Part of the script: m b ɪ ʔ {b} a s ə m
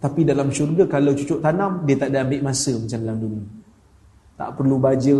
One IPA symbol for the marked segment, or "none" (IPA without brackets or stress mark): m